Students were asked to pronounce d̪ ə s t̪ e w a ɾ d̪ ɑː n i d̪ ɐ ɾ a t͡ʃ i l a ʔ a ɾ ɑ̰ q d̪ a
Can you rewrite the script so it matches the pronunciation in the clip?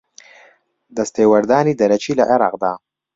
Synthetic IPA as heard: d̪ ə s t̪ e w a ɾ d̪ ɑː n i d̪ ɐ ɾ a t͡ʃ i l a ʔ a ɾ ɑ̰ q d̪ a